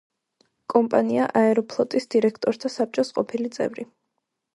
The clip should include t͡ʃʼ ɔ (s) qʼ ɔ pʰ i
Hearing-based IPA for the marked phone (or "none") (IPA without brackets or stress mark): s